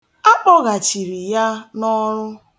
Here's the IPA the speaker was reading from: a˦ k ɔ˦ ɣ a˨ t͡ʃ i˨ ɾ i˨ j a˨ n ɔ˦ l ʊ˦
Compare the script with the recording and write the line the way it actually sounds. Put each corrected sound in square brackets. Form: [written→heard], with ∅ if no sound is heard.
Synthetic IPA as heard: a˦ [k→k͡p] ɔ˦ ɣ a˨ t͡ʃ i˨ ɾ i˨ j [a˨→a˦] n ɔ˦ [l→ɾ] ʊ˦